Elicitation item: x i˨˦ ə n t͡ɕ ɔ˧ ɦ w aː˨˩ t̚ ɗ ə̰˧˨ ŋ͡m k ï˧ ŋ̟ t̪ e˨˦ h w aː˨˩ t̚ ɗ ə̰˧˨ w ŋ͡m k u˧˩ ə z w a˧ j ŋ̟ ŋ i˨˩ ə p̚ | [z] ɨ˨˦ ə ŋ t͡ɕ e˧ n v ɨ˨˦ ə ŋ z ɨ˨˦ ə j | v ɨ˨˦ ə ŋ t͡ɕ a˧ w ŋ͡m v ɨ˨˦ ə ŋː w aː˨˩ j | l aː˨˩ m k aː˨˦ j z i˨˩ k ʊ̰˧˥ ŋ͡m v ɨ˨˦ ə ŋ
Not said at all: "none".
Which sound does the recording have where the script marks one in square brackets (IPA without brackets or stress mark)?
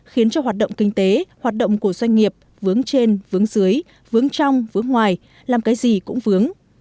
v